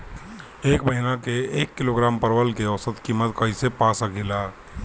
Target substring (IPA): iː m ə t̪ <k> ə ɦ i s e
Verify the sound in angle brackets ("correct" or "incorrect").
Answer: correct